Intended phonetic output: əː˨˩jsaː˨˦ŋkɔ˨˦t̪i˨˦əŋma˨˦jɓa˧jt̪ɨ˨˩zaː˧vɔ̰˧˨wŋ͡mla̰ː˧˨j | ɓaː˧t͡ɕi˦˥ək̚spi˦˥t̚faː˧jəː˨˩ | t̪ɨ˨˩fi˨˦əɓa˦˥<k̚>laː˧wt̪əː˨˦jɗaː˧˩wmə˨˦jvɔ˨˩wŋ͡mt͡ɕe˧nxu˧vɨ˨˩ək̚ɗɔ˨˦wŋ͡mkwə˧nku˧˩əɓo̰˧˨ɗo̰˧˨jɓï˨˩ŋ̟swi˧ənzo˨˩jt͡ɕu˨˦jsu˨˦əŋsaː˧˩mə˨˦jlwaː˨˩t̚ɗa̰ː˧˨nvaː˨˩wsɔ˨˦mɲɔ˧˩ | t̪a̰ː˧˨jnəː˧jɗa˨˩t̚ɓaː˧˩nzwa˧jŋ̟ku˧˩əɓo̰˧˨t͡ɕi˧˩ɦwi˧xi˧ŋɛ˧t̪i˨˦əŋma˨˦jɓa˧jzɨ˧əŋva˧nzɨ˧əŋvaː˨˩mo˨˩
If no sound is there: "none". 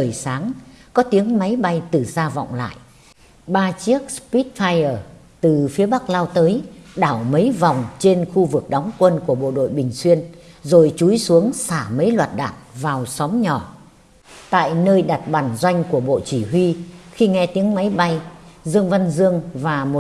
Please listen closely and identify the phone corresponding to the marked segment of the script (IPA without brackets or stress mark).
k̚